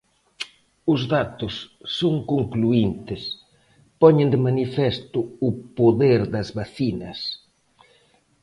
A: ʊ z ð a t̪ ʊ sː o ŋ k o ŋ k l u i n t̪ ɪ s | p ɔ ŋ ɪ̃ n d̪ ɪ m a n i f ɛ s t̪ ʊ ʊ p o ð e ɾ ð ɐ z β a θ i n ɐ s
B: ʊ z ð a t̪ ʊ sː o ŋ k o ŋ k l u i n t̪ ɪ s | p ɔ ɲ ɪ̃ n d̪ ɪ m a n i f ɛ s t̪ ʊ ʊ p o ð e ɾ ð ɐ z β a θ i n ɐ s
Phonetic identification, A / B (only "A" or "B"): B